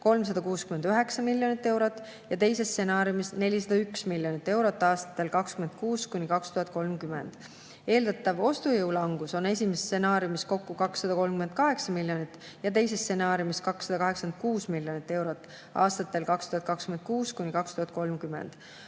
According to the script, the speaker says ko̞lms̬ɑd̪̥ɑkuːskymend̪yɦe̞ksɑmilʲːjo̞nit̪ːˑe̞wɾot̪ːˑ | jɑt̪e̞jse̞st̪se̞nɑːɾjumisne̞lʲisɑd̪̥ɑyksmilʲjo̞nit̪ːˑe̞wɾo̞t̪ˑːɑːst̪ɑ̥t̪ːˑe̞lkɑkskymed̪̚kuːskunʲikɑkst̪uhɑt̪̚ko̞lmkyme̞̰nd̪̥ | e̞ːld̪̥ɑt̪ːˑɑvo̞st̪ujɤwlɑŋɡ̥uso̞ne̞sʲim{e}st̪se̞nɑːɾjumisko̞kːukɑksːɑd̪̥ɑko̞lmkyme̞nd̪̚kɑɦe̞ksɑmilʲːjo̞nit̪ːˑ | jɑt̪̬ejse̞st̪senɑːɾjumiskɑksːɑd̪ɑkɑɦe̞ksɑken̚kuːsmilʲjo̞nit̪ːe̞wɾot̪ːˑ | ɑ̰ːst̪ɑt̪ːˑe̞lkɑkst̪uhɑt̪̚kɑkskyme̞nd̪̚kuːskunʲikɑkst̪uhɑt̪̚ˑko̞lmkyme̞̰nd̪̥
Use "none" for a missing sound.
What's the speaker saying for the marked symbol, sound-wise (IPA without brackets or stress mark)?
e